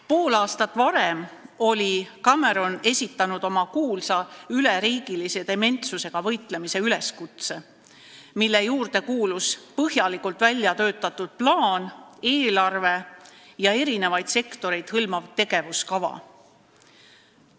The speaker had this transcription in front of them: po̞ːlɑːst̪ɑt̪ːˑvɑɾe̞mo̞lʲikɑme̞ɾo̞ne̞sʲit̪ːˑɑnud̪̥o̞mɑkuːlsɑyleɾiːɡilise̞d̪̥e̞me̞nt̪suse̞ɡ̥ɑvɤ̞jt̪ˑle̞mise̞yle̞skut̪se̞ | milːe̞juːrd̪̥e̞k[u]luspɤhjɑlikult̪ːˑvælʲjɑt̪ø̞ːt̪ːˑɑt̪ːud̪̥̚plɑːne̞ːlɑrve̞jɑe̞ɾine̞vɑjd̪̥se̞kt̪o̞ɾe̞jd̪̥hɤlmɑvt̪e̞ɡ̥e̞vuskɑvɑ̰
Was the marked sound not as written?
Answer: yes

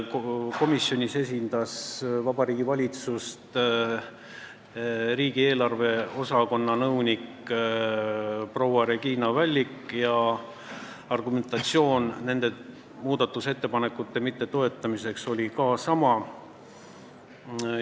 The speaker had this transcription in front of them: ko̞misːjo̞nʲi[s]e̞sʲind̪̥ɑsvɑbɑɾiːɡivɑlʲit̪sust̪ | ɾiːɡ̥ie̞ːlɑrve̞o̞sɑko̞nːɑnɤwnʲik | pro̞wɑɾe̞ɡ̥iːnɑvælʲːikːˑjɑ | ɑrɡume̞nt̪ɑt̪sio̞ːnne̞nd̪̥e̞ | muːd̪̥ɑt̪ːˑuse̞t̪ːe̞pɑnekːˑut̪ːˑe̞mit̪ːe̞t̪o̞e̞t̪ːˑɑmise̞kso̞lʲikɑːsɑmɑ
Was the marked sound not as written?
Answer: no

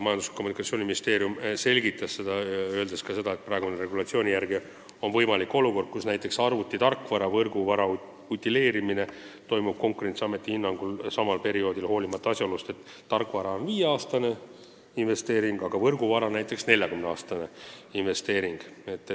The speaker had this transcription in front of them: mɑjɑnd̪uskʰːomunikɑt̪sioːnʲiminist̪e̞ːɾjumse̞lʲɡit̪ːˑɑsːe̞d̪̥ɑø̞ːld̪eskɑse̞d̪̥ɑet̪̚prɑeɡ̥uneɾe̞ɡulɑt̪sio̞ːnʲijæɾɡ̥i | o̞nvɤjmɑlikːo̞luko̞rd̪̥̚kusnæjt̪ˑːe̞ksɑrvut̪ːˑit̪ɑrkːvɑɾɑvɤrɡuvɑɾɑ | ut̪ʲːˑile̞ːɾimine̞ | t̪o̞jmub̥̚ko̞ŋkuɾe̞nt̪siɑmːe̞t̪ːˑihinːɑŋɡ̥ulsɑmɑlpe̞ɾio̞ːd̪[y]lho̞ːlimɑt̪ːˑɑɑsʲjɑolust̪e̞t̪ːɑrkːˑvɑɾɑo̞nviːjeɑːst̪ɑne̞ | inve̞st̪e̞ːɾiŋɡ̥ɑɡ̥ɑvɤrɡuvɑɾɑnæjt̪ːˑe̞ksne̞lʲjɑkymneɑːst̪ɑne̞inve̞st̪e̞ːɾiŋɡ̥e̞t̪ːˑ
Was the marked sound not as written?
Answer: yes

